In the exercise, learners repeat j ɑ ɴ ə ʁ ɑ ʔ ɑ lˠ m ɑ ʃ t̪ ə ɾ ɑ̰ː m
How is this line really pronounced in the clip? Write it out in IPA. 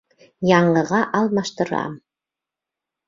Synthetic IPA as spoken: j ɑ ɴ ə ʁ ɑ ʔ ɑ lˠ m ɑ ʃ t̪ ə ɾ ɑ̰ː m